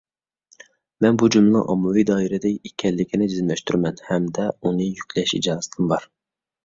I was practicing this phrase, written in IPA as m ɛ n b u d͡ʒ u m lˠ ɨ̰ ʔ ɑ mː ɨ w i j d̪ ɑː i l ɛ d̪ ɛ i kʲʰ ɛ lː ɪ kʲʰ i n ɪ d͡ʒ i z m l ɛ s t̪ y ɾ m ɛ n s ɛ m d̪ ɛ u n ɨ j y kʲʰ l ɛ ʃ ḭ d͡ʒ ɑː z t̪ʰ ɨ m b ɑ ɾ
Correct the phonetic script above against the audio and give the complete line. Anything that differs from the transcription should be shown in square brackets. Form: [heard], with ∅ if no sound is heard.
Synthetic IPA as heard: m ɛ n b u d͡ʒ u m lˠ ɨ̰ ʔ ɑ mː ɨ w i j d̪ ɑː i [ɾ] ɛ d̪ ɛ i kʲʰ ɛ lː ɪ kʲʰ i n ɪ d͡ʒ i z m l ɛ [ʃ] t̪ y ɾ m ɛ n [h] ɛ m d̪ ɛ u n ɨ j y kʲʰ l ɛ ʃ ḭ d͡ʒ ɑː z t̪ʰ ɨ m b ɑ ɾ